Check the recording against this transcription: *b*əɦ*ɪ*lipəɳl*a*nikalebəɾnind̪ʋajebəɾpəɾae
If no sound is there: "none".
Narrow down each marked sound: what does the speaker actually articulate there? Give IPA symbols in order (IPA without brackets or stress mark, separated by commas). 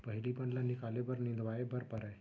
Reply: p, i, a